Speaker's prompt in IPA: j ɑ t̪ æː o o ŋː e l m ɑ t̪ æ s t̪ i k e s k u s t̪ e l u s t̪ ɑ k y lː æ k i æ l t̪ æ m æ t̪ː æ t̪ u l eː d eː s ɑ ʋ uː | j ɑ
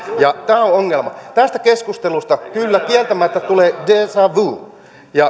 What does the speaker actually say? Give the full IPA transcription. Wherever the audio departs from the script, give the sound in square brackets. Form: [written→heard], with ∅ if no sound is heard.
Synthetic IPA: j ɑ t̪ æː o o ŋː e l m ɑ t̪ æ s t̪ [i→æ] k e s k u s t̪ e l u s t̪ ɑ k y lː æ k i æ l t̪ æ m æ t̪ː æ t̪ u l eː d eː s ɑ ʋ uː | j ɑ